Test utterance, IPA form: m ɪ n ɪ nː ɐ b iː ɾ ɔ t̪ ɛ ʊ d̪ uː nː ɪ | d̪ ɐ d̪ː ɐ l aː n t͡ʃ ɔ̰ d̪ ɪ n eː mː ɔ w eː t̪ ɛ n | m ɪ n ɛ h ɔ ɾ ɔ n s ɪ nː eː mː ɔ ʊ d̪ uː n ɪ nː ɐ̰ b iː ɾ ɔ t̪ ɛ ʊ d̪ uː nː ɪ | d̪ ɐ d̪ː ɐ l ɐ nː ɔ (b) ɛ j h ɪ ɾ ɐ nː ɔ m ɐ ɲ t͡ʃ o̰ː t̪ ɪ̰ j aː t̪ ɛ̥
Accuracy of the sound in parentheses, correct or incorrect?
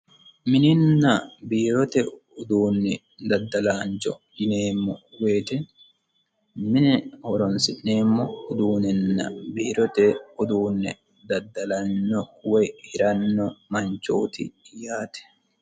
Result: incorrect